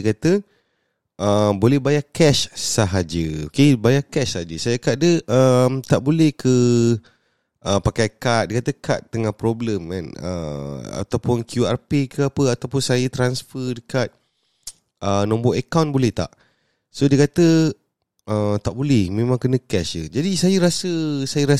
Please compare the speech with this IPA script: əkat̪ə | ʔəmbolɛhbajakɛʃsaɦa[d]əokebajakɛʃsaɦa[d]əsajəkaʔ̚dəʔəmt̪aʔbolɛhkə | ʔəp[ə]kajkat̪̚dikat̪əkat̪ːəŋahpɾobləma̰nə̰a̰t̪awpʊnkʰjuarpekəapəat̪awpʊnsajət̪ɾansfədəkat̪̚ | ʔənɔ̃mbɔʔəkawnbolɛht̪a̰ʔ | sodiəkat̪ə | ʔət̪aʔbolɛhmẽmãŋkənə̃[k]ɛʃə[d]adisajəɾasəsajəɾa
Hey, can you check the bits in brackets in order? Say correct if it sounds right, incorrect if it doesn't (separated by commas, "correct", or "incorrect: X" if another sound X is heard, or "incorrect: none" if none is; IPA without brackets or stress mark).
incorrect: d͡ʒ, incorrect: d͡ʒ, incorrect: a, correct, incorrect: d͡ʒ